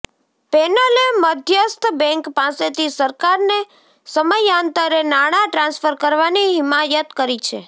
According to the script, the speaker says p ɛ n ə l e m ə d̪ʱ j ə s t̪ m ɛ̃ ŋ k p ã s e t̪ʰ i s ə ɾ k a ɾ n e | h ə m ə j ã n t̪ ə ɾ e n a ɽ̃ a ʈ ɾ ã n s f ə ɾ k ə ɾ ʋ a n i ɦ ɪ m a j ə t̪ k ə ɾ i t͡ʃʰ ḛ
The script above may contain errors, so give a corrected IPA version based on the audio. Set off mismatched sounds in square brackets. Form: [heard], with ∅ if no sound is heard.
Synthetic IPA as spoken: p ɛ n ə l e m ə d̪ʱ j ə s t̪ [b] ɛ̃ ŋ k p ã s e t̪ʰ i s ə ɾ k a ɾ n e | [s] ə m ə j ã n t̪ ə ɾ e n a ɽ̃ a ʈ ɾ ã n s f ə ɾ k ə ɾ ʋ a n i ɦ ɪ m a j ə t̪ k ə ɾ i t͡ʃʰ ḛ